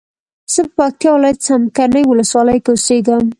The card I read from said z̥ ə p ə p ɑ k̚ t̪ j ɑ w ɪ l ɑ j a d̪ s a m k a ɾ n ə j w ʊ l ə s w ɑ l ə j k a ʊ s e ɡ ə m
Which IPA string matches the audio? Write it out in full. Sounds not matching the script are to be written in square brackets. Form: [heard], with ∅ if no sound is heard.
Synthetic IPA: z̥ ə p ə p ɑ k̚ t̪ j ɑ w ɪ l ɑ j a [t̪] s a m k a ɾ n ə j w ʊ l ə s w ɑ l ə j k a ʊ s e ɡ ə m